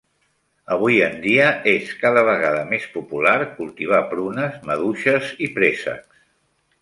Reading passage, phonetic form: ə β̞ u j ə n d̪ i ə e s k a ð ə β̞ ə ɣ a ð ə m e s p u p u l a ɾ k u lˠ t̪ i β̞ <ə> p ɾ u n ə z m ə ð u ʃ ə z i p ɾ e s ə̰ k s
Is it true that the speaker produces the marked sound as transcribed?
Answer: no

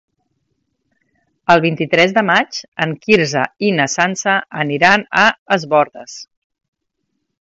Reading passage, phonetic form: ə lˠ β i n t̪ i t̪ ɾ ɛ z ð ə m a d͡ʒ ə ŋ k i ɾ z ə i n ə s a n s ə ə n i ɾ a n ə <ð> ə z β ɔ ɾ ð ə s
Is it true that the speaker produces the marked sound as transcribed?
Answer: no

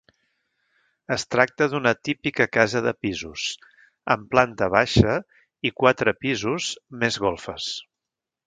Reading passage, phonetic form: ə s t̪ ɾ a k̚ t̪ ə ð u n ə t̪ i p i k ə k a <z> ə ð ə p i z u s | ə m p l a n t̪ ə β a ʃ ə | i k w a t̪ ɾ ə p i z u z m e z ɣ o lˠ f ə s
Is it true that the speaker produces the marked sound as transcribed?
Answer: yes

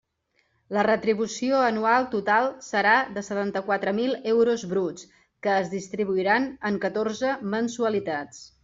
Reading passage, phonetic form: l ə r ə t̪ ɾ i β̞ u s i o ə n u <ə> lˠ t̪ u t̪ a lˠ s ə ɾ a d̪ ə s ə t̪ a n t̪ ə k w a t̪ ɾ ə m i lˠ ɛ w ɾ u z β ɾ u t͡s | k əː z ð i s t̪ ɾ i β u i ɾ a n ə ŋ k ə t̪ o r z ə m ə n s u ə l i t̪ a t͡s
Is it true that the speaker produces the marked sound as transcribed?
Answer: no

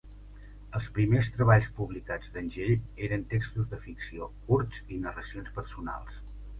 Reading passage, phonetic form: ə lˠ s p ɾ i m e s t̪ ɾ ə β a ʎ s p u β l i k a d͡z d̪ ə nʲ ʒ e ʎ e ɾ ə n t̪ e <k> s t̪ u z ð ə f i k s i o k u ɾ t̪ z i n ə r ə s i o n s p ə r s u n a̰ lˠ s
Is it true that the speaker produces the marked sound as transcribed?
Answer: yes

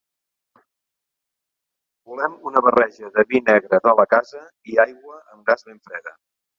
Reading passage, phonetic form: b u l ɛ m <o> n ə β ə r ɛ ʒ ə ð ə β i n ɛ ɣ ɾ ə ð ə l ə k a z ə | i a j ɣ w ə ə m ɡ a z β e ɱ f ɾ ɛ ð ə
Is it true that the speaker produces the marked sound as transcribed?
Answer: no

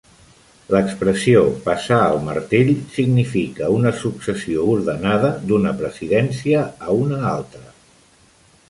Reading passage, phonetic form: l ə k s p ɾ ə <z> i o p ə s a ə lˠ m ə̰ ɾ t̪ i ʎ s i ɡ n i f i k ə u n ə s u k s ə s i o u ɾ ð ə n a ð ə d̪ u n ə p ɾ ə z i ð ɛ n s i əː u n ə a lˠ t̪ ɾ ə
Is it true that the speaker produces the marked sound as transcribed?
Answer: no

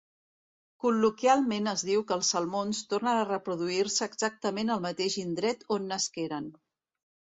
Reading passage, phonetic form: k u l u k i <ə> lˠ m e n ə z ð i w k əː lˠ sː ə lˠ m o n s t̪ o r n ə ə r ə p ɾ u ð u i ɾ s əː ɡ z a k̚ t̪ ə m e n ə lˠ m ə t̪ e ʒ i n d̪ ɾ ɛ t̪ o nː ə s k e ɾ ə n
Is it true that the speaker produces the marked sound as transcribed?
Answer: no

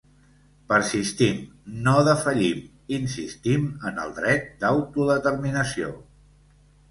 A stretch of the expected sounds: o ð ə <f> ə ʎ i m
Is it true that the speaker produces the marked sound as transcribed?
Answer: yes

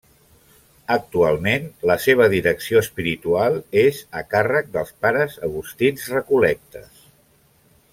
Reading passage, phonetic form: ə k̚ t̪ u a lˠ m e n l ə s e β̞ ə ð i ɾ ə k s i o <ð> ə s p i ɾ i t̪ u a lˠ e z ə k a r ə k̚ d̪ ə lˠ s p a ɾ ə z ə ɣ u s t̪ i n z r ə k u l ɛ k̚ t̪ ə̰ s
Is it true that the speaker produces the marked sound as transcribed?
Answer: no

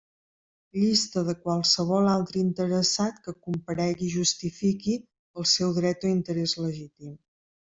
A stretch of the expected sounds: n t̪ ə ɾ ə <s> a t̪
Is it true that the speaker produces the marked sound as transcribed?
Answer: yes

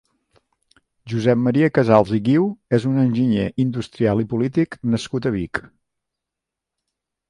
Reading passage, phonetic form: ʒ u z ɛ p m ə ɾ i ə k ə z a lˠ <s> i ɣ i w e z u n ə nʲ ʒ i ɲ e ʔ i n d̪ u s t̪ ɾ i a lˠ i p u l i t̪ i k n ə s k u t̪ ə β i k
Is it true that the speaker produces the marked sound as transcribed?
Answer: no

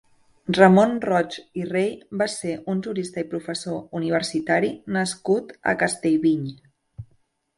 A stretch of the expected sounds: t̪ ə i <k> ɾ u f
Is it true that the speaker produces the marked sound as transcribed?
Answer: no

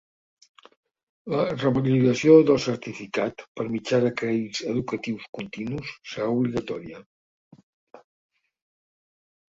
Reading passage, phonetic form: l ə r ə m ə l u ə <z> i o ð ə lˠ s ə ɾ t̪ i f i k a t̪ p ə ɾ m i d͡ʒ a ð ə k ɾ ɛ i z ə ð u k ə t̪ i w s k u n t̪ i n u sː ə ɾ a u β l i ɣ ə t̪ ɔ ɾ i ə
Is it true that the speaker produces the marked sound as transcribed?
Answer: no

